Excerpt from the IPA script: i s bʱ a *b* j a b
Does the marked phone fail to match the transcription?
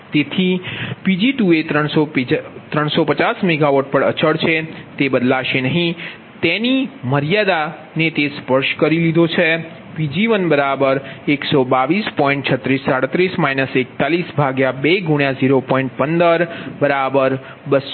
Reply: yes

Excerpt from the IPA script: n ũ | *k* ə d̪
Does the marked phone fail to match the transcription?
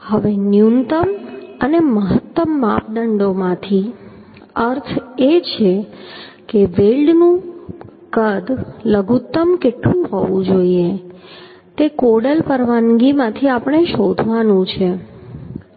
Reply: no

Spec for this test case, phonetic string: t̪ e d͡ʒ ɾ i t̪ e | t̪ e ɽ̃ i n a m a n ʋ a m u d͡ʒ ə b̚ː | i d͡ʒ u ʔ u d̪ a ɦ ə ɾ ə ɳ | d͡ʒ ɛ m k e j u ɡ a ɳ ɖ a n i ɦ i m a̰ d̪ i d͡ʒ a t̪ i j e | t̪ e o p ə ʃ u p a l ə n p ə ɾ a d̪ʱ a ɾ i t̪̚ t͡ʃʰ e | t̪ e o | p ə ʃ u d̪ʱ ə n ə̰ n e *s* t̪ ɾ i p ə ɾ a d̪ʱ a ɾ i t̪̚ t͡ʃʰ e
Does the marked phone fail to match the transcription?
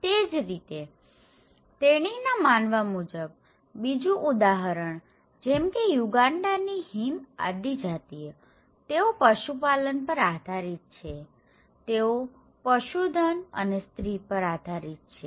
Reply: no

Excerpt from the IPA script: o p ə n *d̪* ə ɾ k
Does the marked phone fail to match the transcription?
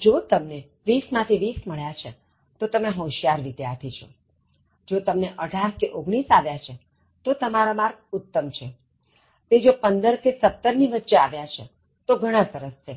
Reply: no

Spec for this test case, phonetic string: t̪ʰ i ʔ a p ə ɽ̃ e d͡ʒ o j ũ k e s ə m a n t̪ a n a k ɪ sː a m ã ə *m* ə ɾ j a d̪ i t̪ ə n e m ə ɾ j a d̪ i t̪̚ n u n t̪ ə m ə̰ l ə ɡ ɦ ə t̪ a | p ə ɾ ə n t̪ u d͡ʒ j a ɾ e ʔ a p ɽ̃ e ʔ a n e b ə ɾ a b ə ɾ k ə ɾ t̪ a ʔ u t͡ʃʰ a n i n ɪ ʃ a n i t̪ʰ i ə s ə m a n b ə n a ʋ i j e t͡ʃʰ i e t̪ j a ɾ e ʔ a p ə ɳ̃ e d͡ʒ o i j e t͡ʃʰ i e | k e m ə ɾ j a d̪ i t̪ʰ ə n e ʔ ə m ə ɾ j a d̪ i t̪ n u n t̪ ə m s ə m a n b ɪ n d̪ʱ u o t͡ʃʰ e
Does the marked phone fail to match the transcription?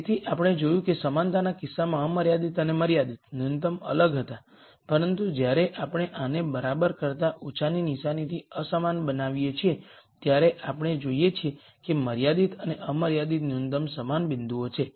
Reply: no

